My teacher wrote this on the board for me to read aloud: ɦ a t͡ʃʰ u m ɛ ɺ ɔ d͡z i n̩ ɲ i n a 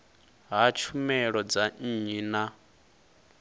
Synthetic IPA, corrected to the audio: ɦ a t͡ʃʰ u m ɛ ɺ ɔ d͡z a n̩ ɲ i n a